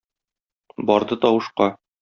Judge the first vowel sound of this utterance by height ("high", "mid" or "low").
low